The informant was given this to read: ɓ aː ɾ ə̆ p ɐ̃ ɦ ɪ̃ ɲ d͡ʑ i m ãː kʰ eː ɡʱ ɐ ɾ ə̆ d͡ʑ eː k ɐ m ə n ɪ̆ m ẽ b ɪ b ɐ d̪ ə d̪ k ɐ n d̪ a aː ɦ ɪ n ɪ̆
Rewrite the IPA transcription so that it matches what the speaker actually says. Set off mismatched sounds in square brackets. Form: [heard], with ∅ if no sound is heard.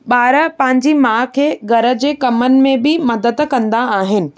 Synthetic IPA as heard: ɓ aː ɾ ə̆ p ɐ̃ ɦ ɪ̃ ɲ d͡ʑ i m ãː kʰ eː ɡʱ ɐ ɾ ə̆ d͡ʑ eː k ɐ m ə n ɪ̆ m ẽ b ɪ [m] ɐ d̪ ə d̪ k [ɐ̃] n d̪ a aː ɦ ɪ n ɪ̆